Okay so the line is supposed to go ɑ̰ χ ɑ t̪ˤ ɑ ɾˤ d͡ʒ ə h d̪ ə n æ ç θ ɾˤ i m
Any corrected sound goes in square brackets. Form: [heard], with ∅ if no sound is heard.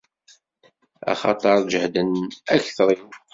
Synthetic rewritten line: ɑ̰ χ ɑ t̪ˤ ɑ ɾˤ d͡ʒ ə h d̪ ə n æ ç θ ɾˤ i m